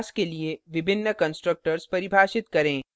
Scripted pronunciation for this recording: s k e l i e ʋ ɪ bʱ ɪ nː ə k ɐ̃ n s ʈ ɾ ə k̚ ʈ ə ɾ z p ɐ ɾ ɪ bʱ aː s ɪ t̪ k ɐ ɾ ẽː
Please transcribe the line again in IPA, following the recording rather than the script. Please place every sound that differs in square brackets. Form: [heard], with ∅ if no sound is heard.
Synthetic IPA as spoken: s k e l i e ʋ ɪ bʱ ɪ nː ə k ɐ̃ n s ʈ ɾ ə k̚ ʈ ə ɾ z p ɐ ɾ ɪ bʱ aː [ʃ] ɪ t̪ k ɐ ɾ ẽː